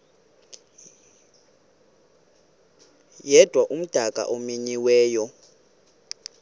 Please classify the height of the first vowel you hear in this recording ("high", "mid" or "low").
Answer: mid